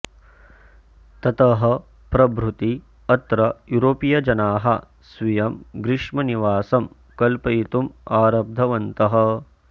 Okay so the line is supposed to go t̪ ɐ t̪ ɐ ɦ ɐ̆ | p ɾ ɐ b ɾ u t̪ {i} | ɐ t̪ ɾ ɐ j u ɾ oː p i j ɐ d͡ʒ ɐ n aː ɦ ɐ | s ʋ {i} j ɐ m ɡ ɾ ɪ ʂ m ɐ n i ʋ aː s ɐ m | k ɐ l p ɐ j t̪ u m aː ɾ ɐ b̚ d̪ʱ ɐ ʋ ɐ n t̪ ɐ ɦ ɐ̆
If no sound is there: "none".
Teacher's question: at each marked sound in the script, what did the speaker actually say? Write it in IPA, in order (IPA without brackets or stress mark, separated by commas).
i, i